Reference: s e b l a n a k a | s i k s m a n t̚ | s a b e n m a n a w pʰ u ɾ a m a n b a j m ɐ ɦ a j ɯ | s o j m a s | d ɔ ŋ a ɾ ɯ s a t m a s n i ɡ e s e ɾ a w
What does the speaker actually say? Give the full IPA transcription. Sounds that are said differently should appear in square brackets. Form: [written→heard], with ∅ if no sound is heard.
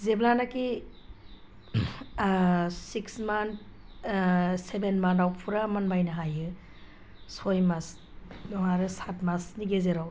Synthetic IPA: [s→z] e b l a n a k [a→i] | s i k s m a n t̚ | s [a→e] b e n m a n a w pʰ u ɾ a m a n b a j [m→n] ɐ ɦ a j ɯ | s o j m a s | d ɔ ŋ a ɾ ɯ s a t m a s n i ɡ e [s→z] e ɾ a w